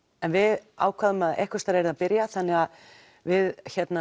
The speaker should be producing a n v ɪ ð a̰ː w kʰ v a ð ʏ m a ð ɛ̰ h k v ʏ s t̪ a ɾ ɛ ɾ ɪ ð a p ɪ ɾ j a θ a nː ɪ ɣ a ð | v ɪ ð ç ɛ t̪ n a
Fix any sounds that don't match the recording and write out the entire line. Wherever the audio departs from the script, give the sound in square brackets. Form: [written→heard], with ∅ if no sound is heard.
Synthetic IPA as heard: [a→ɛ] n v ɪ ð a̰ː w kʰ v a ð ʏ m a ð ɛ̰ h k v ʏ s t̪ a ɾ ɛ ɾ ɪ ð a p ɪ ɾ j a θ a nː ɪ ɣ a ð | v ɪ ð ç ɛ t̪ n a